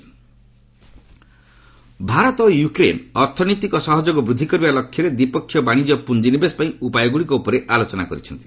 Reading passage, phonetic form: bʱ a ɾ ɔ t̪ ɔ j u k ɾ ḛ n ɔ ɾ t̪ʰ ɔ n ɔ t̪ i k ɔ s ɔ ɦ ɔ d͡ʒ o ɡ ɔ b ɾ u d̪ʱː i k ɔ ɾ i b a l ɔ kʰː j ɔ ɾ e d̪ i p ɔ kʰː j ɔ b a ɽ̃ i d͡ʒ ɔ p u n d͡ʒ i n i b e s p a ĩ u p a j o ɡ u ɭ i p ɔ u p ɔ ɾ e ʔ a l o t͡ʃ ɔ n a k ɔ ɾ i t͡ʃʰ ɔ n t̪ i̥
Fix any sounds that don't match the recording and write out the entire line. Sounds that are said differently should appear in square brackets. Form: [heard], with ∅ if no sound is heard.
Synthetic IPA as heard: bʱ a ɾ ɔ t̪ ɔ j u k ɾ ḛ n ɔ ɾ t̪ʰ ɔ n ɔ t̪ i k ɔ s ɔ ɦ ɔ d͡ʒ o ɡ ɔ b ɾ u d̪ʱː i k ɔ ɾ i b a l ɔ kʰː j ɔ ɾ e d̪ i p ɔ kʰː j ɔ b a ɽ̃ i d͡ʒ ɔ p u n d͡ʒ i n i b e s p a ĩ u p a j [ɔ] ɡ u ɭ i [k] ɔ u p ɔ ɾ e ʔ a l o t͡ʃ ɔ n a k ɔ ɾ i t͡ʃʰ ɔ n t̪ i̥